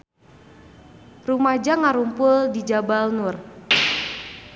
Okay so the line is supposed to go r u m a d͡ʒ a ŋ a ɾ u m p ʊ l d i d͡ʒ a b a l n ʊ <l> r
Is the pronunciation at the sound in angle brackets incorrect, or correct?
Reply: incorrect